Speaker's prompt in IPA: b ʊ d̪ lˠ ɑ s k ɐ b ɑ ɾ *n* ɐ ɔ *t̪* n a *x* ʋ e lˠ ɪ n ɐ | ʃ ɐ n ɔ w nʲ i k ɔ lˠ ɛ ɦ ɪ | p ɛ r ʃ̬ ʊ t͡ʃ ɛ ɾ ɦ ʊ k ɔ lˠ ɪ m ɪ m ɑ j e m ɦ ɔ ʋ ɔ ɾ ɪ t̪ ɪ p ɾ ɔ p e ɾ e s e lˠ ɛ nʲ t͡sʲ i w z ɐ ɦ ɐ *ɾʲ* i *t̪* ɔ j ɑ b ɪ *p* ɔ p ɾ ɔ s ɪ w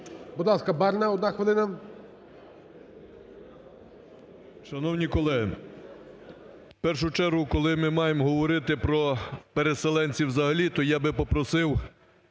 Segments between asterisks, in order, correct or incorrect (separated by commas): correct, incorrect, correct, incorrect, correct, correct